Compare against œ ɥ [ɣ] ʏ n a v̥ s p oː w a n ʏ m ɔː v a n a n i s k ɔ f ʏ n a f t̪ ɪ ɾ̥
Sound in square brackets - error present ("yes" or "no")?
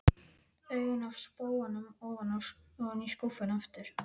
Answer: no